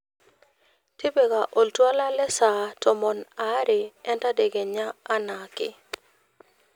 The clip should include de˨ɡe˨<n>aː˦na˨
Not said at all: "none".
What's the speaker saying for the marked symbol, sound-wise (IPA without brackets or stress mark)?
ɲ